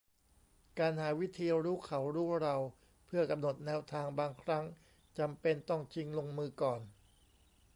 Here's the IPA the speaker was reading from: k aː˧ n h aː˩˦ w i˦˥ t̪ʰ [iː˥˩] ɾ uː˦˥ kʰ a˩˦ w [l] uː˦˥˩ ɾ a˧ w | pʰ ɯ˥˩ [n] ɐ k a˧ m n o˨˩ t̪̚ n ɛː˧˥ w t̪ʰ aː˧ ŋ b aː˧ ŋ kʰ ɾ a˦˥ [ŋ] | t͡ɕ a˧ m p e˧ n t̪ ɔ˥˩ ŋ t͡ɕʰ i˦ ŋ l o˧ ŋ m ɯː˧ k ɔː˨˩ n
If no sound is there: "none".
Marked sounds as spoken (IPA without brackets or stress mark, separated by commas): iː˧, ɾ, none, ŋ